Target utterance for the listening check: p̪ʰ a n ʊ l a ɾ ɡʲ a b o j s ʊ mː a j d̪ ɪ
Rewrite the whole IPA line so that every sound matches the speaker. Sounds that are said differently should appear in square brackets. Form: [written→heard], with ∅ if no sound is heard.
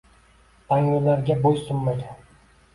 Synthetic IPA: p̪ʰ a [n→ŋ] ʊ l a ɾ ɡʲ a b o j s ʊ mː a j d̪ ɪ